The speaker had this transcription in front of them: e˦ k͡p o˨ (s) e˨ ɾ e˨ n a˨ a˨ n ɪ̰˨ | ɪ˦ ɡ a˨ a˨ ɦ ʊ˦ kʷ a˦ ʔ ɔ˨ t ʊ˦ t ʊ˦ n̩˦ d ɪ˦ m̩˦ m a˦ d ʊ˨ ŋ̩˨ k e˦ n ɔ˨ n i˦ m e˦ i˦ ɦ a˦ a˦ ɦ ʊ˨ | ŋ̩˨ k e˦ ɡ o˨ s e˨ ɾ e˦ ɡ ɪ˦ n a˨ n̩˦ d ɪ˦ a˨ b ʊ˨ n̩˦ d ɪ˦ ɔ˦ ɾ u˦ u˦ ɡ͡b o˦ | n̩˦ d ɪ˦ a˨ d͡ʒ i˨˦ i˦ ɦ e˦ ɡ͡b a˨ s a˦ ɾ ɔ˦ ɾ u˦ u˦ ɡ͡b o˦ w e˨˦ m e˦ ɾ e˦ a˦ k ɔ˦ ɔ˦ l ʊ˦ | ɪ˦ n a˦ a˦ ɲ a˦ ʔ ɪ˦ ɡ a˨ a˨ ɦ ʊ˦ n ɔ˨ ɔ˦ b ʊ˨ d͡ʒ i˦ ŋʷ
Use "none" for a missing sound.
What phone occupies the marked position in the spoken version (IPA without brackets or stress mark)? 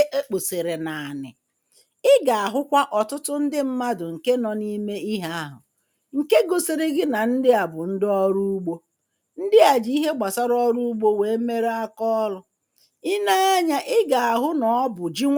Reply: s